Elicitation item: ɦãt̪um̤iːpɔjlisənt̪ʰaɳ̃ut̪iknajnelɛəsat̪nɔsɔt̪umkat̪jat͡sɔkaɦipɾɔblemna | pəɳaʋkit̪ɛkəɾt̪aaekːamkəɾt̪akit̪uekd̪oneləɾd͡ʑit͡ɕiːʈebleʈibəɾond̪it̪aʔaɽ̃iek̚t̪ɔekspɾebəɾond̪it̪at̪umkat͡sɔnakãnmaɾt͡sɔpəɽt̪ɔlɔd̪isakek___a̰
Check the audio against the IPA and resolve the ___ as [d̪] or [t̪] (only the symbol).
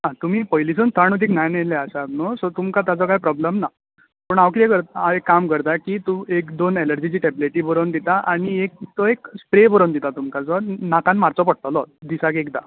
d̪